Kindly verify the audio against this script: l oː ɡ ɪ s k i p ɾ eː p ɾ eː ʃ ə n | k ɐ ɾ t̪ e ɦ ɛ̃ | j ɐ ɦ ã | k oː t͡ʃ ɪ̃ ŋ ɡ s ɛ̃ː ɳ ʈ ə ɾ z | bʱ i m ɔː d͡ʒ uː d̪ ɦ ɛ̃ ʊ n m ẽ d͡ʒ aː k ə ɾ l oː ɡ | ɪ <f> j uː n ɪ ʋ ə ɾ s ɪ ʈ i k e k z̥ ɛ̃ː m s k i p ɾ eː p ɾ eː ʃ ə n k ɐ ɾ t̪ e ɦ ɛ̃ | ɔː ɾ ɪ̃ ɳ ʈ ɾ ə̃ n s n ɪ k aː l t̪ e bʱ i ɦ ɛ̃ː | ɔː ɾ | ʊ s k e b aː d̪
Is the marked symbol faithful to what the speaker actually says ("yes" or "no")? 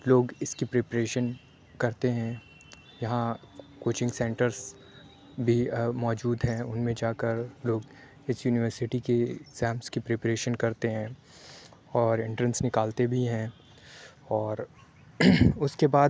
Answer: no